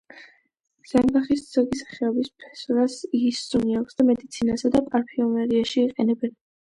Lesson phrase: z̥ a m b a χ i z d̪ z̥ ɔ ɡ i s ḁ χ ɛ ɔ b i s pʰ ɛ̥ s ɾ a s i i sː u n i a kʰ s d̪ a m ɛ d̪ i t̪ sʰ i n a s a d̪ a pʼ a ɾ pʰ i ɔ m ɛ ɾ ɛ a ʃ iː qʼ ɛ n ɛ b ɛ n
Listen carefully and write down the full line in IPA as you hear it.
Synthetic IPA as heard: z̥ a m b a χ i s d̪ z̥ ɔ ɡ i s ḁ χ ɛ ɔ b i s pʰ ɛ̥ s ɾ a s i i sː u n i a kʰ s d̪ a m ɛ d̪ i t̪ sʰ i n a s a d̪ a pʼ a ɾ pʰ i ɔ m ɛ ɾ i a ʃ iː qʼ ɛ n ɛ b ɛ n